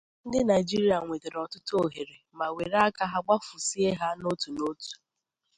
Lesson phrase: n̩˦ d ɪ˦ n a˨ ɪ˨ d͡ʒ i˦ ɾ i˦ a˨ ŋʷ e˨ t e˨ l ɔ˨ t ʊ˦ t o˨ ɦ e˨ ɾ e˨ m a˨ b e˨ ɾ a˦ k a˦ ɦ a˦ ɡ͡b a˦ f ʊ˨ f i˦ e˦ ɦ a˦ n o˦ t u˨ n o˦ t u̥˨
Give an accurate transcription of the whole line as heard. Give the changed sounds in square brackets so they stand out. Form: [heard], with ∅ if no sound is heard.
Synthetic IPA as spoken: n̩˦ d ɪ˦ n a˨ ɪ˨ d͡ʒ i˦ ɾ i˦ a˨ ŋʷ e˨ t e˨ [ɾ] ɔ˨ t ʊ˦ t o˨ ɦ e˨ ɾ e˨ m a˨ [w] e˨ ɾ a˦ k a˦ ɦ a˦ ɡ͡b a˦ f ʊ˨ [s] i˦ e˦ ɦ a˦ n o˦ t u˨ n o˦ t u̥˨